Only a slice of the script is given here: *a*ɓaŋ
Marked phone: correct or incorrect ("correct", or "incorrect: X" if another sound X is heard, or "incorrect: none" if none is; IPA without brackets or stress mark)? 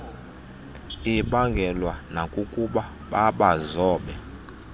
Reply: incorrect: i